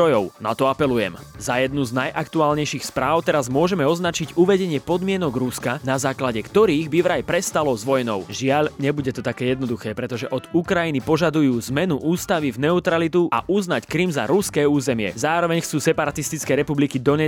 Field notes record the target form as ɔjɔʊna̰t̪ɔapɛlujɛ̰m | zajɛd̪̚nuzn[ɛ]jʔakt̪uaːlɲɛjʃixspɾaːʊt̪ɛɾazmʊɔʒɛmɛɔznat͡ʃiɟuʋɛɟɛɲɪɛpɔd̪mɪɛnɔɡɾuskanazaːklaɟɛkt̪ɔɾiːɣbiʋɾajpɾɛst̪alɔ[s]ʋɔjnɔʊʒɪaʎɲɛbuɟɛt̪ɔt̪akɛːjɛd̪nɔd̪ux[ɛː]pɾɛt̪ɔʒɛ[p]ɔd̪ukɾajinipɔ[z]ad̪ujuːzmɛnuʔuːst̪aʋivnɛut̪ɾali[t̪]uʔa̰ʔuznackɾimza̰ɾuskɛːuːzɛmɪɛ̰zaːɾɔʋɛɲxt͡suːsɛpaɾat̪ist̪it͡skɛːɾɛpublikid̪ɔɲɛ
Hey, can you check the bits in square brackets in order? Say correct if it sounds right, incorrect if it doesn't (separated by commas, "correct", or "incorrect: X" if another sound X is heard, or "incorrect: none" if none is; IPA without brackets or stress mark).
incorrect: a, incorrect: z, correct, incorrect: ʔ, incorrect: ʒ, correct